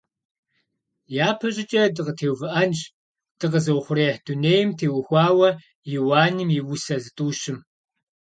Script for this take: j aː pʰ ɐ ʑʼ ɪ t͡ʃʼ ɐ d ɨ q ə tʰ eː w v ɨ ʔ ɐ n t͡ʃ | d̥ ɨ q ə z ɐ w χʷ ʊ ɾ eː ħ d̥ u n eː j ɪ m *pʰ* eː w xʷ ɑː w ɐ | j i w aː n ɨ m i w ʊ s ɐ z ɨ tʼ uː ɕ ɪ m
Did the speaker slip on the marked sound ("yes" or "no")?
yes